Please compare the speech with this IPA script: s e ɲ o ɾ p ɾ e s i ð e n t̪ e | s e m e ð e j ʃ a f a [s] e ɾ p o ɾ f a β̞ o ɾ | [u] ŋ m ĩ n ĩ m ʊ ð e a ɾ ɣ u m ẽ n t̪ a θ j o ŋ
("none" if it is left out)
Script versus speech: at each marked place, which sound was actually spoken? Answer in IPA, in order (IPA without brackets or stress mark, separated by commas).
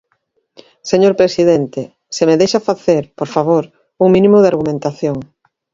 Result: θ, u